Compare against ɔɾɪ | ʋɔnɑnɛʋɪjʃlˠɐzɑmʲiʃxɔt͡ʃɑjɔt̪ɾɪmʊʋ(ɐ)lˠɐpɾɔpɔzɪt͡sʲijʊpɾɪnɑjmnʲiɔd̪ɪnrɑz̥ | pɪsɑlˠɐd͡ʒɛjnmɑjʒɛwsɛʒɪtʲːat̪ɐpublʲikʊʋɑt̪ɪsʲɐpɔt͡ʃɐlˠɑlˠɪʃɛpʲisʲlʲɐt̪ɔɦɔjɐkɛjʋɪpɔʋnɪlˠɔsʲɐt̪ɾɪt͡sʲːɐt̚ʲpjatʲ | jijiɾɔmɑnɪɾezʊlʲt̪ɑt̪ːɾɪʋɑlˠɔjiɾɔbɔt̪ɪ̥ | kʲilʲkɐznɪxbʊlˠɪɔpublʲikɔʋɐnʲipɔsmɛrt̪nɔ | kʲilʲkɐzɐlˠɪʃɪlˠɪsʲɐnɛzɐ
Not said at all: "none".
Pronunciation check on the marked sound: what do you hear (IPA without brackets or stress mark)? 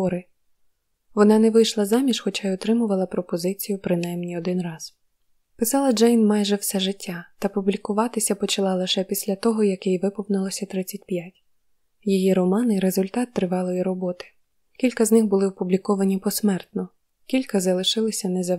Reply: ɐ